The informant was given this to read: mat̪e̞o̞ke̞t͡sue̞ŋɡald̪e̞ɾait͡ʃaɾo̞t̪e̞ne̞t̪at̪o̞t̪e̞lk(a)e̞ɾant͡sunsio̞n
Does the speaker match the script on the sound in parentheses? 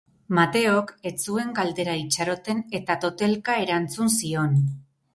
yes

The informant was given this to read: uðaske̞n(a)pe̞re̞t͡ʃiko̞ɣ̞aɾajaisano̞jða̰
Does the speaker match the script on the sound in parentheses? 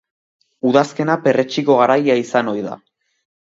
yes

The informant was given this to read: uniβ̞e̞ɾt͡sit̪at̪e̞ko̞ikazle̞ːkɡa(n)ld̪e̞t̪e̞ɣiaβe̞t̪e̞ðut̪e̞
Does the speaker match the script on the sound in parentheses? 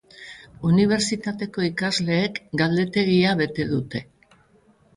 no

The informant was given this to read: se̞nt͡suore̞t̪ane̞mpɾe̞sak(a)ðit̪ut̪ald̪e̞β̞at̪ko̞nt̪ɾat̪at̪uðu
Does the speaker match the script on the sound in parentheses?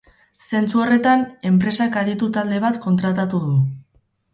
yes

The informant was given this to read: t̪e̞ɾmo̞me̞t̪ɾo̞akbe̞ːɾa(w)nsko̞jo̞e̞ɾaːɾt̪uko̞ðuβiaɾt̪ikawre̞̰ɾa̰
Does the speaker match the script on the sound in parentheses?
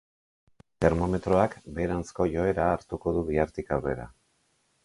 no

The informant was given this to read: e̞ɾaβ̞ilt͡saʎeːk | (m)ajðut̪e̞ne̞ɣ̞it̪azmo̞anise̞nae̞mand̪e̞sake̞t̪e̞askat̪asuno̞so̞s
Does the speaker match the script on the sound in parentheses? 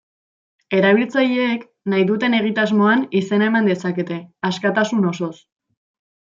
no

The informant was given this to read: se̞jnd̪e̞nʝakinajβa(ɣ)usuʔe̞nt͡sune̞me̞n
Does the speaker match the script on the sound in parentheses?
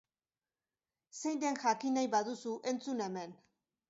no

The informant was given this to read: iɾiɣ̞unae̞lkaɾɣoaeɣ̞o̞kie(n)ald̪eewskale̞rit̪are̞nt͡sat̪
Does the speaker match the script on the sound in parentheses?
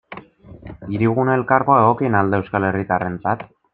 yes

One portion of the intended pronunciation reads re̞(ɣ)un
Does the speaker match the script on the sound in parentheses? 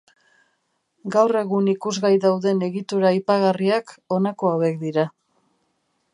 yes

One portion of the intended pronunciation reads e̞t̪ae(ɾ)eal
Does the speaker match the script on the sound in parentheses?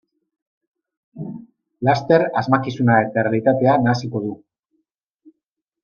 no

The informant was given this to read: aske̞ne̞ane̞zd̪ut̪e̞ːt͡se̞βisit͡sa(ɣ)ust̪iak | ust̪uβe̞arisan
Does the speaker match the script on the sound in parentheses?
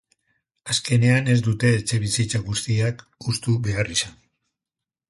yes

